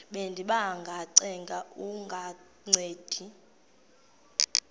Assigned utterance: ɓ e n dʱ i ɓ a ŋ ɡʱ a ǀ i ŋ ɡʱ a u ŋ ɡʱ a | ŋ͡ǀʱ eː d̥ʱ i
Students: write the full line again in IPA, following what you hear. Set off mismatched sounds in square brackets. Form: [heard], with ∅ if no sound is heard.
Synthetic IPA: ɓ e n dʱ i ɓ a ŋ ɡʱ a ǀ [ɛ] ŋ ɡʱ a u ŋ ɡʱ a | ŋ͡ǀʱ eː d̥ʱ i

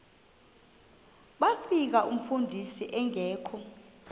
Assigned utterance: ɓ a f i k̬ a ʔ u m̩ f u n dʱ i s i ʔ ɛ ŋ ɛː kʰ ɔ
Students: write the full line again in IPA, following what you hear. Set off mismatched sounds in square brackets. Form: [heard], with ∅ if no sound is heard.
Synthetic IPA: ɓ a f i k̬ a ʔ u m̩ f u n dʱ i s i ʔ ɛ ŋ ɛː kʰ ɔ

